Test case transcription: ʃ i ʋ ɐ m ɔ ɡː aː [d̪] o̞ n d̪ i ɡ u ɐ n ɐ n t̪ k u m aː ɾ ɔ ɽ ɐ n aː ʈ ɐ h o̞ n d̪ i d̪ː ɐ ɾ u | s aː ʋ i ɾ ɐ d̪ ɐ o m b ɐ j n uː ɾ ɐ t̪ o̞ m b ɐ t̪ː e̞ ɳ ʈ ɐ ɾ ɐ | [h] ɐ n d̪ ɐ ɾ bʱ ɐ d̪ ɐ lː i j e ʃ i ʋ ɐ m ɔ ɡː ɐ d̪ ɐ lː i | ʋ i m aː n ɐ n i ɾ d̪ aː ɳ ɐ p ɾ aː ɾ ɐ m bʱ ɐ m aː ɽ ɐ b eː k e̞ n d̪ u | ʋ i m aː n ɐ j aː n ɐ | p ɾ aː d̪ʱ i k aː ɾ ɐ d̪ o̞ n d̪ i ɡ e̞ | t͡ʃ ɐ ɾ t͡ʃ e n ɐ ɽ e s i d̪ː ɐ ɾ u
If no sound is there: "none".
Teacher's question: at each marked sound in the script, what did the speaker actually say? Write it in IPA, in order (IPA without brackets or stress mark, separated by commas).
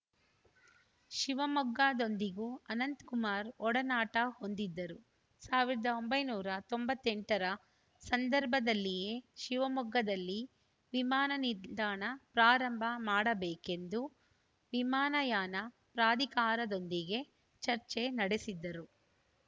d̪, s